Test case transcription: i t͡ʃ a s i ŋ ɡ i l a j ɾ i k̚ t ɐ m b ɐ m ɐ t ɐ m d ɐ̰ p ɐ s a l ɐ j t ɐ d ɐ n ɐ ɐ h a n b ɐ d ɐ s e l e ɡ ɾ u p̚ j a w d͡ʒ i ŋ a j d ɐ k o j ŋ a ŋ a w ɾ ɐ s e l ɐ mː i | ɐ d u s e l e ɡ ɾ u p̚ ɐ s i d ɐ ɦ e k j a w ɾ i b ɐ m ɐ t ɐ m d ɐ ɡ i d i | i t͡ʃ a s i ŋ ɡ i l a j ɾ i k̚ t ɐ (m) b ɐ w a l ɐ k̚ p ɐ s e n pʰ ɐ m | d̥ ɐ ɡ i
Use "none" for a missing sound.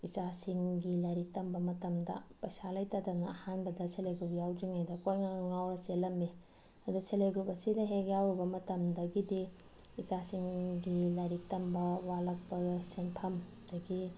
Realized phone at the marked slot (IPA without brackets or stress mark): m